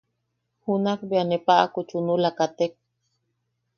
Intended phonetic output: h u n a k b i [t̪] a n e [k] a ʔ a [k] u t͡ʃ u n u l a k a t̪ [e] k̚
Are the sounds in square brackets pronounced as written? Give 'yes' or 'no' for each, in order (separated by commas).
no, no, yes, yes